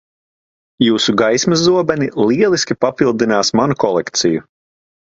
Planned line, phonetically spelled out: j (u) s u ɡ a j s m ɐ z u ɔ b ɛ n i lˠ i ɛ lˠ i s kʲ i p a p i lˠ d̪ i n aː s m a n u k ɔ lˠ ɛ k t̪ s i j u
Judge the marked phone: incorrect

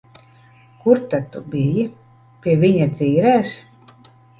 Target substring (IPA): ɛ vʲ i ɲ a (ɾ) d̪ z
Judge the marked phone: incorrect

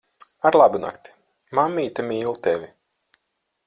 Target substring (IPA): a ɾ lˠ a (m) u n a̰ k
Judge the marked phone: incorrect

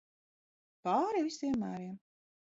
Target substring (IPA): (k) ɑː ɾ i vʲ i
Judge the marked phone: incorrect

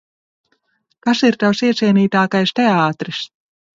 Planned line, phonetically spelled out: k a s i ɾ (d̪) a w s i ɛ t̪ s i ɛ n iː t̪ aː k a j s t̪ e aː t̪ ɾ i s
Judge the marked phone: incorrect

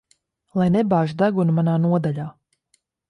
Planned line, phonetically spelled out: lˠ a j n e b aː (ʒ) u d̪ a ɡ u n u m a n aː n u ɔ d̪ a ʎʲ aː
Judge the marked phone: correct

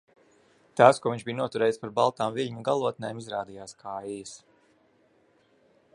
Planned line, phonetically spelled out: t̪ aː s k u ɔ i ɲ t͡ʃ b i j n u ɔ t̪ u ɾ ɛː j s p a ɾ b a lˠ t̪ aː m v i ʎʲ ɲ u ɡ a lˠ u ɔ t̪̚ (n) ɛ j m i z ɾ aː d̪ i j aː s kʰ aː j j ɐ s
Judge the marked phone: correct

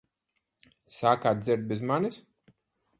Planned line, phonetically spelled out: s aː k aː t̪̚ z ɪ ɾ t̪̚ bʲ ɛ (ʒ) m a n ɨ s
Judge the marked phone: incorrect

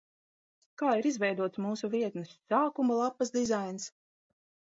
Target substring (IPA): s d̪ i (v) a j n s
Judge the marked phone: incorrect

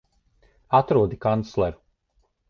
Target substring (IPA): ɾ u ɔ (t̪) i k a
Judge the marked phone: incorrect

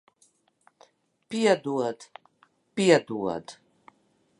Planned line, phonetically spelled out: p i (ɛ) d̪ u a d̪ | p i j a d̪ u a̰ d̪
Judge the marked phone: incorrect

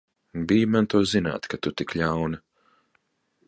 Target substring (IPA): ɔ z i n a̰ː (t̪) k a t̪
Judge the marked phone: correct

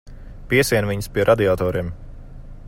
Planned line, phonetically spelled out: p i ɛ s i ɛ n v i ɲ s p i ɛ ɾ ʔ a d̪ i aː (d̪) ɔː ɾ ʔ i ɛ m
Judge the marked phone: incorrect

